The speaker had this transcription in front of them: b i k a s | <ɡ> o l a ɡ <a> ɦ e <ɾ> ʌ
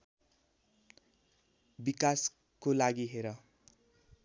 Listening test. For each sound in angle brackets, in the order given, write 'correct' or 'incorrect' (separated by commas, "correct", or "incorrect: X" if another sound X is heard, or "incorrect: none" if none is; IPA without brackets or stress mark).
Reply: incorrect: k, incorrect: i, correct